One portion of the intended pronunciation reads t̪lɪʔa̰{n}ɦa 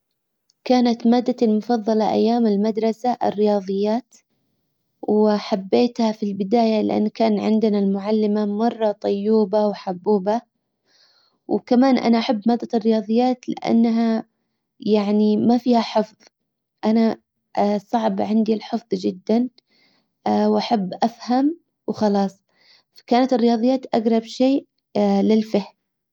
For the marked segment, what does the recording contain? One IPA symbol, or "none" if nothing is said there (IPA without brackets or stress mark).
nː